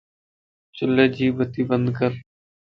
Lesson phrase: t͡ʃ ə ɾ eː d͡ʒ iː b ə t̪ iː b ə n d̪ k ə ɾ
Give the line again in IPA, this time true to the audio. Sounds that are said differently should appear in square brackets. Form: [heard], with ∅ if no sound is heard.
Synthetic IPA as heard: t͡ʃ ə [l] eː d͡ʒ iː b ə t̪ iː b ə n d̪ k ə ɾ